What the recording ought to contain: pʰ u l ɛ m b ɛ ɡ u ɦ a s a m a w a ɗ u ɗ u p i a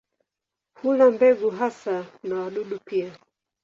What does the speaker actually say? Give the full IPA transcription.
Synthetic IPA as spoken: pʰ u l a m b ɛ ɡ u ɦ a s a n a w a ɗ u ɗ u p i a